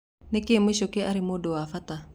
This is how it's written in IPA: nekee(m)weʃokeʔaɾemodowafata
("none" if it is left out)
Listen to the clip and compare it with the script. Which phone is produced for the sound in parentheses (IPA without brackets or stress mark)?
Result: m